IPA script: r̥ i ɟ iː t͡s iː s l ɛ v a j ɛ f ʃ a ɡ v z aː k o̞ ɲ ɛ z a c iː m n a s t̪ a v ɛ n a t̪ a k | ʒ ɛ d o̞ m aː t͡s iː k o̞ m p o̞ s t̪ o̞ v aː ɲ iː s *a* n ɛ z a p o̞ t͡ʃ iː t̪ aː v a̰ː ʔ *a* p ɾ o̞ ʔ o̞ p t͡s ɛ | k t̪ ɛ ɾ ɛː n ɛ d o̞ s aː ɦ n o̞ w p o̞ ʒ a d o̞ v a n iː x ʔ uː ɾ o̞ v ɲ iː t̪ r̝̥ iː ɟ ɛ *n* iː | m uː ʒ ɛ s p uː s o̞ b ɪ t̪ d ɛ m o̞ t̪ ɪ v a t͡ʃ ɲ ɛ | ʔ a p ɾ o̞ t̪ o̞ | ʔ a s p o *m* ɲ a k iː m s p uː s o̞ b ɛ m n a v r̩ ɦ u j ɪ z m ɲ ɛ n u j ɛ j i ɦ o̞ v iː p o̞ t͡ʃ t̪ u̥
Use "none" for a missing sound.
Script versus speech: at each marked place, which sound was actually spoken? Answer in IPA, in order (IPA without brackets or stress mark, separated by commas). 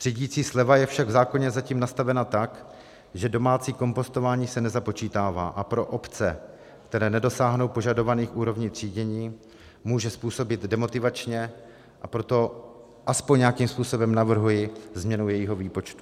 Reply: ɛ, a, ɲ, ɲ